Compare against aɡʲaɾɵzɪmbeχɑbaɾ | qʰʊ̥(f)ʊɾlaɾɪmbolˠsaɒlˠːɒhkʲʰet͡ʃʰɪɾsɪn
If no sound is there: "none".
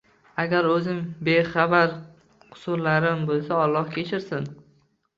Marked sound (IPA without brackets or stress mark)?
s